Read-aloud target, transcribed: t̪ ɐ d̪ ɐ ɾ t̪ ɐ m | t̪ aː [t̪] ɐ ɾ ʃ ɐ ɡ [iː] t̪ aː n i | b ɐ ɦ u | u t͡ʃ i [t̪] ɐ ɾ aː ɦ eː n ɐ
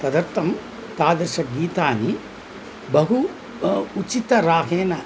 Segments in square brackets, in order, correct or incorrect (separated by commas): incorrect, correct, correct